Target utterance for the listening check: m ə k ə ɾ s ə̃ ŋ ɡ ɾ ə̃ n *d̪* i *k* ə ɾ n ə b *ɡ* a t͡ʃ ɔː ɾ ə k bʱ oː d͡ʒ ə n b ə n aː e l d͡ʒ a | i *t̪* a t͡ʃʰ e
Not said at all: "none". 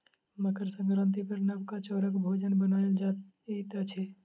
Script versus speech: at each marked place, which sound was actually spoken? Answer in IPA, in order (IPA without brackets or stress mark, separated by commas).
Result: t̪, p, k, t̪